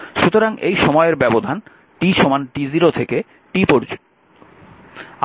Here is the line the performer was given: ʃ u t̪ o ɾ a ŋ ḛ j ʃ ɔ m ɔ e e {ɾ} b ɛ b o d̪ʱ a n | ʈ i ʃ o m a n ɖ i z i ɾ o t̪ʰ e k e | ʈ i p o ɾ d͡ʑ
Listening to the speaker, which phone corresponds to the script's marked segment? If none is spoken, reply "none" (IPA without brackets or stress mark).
ɾ